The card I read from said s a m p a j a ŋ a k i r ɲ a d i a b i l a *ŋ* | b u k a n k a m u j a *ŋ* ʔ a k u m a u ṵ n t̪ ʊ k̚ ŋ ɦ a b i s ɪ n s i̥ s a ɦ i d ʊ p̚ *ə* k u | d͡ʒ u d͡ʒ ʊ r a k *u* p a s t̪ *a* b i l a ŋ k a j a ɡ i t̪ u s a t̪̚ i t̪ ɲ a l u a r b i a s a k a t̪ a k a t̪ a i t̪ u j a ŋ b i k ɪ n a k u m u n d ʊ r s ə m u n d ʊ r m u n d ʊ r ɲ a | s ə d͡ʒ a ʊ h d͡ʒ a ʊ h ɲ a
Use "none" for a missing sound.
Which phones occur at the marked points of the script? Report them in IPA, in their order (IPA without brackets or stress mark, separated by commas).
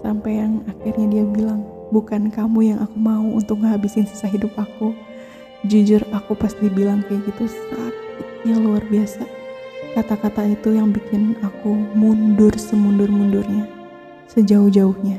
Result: ŋ, ŋ, a, u, i